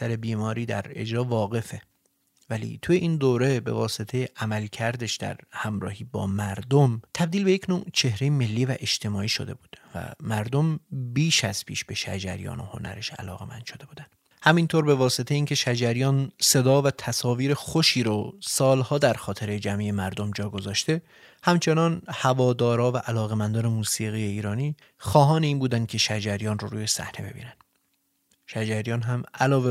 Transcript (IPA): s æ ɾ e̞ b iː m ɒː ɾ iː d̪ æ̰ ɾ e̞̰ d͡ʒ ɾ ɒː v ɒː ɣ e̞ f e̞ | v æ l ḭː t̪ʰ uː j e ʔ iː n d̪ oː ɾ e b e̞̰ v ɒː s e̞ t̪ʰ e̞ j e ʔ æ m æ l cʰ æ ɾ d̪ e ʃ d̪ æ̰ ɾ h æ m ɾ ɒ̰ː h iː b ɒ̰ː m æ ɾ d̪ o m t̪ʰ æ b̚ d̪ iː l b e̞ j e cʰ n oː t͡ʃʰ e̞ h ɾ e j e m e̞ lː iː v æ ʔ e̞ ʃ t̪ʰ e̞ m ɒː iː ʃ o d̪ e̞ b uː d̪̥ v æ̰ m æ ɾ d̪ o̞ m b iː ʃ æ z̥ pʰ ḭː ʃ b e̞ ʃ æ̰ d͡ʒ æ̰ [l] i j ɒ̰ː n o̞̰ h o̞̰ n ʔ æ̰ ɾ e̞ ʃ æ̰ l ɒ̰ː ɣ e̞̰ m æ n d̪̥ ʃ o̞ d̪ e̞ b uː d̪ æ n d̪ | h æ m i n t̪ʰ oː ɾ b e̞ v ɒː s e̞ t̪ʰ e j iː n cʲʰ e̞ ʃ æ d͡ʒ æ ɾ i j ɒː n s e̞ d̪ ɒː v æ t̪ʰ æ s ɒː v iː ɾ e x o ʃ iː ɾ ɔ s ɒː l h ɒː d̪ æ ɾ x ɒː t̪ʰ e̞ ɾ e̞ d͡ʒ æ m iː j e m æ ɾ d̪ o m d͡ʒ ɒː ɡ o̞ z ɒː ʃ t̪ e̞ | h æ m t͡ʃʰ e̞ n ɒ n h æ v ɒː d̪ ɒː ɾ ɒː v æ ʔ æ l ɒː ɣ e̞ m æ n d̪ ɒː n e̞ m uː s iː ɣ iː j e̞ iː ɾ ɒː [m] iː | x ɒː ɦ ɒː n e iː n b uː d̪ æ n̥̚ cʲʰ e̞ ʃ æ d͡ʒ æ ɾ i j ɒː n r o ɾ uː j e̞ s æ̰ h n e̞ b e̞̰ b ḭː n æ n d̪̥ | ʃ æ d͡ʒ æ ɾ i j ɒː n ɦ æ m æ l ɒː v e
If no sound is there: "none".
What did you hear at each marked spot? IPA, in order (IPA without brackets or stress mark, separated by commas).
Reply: ɾ, n